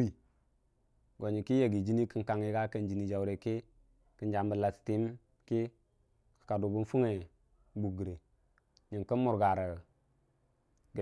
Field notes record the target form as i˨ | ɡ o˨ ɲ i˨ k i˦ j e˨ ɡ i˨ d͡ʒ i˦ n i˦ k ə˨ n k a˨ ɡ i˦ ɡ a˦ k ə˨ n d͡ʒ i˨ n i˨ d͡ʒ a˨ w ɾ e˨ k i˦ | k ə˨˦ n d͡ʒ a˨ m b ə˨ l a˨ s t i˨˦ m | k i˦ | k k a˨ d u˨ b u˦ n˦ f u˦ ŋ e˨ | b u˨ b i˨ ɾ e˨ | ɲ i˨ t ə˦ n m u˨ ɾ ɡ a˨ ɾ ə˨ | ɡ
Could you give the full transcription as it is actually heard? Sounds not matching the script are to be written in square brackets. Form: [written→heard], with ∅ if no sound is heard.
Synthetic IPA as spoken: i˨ | ɡ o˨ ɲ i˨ k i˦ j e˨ ɡ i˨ d͡ʒ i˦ n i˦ k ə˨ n k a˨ [ɡ→ŋ] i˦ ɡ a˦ k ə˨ n d͡ʒ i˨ n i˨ d͡ʒ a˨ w ɾ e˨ k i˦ | k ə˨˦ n d͡ʒ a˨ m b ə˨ l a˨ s t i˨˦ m | k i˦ | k k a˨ d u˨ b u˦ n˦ f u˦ ŋ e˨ | b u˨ [b→ɡ] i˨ ɾ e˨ | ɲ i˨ [t→k] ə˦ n m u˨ ɾ ɡ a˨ ɾ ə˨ | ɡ

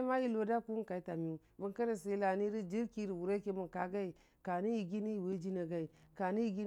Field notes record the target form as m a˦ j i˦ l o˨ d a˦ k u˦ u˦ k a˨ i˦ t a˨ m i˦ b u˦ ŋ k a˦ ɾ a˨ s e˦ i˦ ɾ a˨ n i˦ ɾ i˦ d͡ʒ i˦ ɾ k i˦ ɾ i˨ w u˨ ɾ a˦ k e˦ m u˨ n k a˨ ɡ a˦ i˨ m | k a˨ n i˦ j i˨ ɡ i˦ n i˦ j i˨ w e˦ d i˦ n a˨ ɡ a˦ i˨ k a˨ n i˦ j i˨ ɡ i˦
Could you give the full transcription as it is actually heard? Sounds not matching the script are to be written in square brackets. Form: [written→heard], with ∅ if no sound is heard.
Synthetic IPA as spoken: m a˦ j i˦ l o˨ d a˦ k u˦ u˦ k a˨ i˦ t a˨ m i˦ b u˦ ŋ k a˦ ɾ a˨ s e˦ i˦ [ɾ→l] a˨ n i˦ ɾ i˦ d͡ʒ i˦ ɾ k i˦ ɾ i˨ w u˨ ɾ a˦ k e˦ m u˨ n k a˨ ɡ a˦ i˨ [m→∅] | k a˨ n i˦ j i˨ ɡ i˦ n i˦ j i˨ w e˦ [d→d͡ʒ] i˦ n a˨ ɡ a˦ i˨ k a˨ n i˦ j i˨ ɡ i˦

